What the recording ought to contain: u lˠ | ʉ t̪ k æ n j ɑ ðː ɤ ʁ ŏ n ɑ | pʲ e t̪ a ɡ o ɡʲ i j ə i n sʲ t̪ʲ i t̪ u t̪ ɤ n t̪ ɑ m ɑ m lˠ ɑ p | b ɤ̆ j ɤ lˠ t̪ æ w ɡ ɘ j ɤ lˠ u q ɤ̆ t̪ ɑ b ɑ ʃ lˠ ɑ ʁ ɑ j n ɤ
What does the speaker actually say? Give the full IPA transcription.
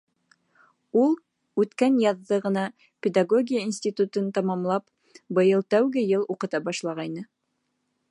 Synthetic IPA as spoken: u lˠ | ʉ t̪ k æ n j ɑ ðː ɤ ʁ ɤ̆ n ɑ | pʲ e d̪ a ɡ o ɡʲ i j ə i n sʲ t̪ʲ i t̪ u t̪ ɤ n t̪ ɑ m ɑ m lˠ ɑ p | b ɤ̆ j ɤ lˠ t̪ æ w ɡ ɘ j ɤ lˠ u q ɤ̆ t̪ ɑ b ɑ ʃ lˠ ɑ ʁ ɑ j n ɤ